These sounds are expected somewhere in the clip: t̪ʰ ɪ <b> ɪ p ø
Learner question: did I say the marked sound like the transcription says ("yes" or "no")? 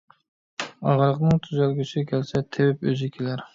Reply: no